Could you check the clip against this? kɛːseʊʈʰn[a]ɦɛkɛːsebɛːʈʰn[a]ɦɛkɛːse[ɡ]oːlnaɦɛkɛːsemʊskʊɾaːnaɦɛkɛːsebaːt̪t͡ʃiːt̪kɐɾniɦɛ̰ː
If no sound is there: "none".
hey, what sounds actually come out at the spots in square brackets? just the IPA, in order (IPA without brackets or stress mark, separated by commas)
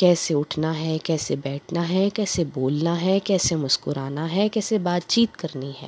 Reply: a, a, b